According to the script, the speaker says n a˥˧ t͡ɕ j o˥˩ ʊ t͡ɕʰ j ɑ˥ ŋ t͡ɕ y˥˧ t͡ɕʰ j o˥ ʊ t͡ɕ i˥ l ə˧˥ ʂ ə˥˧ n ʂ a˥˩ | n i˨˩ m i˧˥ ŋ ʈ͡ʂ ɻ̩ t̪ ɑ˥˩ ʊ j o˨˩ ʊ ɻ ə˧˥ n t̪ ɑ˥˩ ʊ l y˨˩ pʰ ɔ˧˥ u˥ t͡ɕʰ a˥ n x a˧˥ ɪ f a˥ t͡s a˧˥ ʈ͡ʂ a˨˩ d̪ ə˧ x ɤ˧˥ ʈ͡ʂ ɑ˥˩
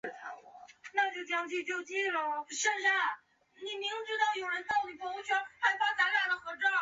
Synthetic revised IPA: n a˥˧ t͡ɕ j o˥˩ ʊ t͡ɕ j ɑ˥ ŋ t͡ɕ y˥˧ t͡ɕ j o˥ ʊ t͡ɕ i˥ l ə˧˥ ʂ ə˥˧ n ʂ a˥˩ | n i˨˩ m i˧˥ ŋ ʈ͡ʂ ɻ̩ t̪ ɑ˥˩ ʊ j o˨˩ ʊ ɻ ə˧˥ n t̪ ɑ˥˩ ʊ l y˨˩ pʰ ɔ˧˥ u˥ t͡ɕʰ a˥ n x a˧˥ ɪ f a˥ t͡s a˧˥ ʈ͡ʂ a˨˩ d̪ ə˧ x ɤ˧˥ ʈ͡ʂ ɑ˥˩